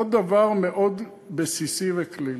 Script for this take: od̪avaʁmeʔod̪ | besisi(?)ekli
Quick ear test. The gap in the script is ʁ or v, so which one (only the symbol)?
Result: v